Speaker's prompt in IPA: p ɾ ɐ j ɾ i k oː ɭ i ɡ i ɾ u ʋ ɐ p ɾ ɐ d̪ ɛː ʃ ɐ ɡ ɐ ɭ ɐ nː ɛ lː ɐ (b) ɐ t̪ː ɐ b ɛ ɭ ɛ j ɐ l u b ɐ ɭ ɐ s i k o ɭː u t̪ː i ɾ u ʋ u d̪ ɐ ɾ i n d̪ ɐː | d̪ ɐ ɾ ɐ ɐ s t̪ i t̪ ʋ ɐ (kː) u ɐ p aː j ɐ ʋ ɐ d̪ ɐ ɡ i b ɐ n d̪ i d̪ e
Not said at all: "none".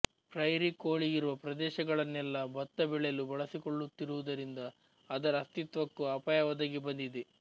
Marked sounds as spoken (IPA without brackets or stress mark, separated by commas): b, kː